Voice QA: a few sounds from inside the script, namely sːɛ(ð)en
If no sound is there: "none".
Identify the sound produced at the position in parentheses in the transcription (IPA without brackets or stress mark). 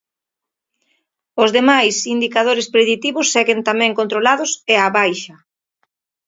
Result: ɣ